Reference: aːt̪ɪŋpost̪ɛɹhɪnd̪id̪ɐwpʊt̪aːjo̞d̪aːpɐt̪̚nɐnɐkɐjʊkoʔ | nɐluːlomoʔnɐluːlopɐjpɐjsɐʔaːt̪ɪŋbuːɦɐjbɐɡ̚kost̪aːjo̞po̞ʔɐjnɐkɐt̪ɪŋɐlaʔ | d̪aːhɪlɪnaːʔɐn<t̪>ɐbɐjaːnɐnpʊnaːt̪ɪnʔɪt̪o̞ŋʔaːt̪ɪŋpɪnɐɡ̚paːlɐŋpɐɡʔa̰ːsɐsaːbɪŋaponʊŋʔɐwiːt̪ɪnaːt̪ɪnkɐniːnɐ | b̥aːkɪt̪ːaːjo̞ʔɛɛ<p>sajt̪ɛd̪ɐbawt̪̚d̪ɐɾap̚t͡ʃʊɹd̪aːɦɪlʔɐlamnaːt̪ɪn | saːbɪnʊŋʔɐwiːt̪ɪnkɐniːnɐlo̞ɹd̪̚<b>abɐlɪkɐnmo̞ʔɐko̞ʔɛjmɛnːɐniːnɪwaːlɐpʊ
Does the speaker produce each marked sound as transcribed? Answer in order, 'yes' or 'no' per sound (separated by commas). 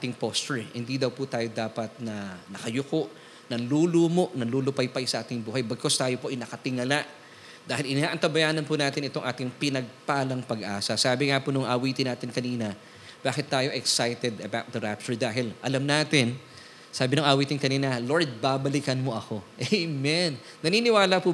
yes, no, yes